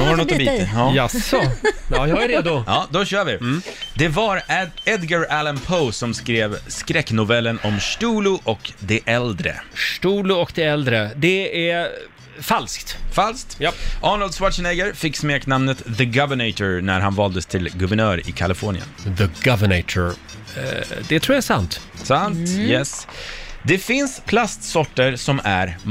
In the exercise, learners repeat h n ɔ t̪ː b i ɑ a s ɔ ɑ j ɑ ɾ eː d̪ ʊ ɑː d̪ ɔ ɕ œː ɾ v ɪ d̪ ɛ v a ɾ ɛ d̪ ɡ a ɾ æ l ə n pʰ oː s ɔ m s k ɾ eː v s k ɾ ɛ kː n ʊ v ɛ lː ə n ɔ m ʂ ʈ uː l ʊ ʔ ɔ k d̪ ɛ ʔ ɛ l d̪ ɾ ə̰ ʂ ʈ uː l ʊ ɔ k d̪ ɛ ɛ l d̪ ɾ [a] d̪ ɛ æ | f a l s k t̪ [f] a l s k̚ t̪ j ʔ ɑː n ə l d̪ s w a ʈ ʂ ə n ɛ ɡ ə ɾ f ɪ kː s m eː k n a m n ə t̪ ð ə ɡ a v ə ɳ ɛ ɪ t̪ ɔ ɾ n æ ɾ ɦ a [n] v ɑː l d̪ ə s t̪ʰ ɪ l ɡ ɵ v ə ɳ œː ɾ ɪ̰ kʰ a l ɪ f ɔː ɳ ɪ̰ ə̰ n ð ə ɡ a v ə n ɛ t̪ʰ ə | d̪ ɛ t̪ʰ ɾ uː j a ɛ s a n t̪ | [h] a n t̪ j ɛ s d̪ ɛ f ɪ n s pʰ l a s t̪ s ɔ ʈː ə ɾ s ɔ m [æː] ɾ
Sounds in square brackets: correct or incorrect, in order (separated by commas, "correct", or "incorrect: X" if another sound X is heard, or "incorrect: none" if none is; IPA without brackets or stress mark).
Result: incorrect: ə, correct, correct, incorrect: s, incorrect: æ